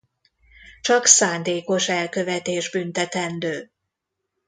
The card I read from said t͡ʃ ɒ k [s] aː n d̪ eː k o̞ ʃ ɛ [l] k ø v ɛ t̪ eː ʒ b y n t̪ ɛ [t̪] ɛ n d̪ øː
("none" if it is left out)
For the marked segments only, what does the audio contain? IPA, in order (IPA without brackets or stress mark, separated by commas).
s, l, t̪